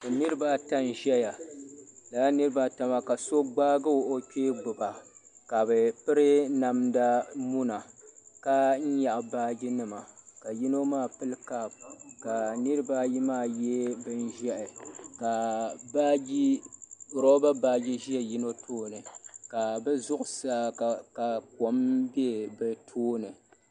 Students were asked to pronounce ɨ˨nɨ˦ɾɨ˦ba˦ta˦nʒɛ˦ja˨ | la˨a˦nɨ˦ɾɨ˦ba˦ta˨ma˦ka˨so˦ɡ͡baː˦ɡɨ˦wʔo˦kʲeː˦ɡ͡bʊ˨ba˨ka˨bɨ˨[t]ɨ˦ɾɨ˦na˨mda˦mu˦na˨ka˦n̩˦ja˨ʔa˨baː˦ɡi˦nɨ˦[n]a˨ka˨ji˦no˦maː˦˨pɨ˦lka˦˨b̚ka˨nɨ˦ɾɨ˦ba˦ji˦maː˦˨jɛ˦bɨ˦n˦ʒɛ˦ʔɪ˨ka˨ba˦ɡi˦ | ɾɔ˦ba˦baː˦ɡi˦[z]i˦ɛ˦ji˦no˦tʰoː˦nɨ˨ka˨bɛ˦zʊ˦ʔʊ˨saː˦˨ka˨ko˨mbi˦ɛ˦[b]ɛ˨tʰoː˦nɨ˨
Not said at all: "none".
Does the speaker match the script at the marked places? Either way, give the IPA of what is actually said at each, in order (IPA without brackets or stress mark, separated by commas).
p, m, ʒ, b